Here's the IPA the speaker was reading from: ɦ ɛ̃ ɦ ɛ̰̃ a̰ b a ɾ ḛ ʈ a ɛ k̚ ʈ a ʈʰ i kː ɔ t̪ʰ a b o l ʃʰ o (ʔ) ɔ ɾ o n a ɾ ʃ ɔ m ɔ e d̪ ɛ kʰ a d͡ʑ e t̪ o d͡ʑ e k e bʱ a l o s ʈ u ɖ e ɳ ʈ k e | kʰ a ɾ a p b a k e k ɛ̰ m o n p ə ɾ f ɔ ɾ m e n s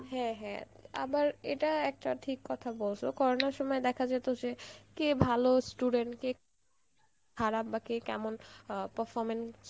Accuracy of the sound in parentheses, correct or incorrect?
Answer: incorrect